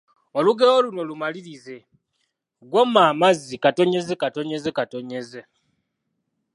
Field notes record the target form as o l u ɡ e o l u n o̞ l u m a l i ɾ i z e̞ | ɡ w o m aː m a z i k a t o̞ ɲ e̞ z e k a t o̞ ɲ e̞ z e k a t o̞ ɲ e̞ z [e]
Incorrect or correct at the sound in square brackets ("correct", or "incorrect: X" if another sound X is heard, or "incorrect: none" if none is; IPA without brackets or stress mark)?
correct